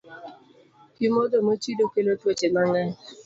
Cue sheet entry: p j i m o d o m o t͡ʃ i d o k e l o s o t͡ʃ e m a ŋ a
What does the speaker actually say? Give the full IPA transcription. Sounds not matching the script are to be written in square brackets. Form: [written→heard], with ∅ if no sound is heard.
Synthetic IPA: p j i m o d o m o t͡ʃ i d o k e l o [s→t] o t͡ʃ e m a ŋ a